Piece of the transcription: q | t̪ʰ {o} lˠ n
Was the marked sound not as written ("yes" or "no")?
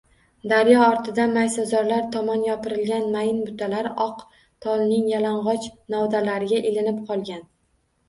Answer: yes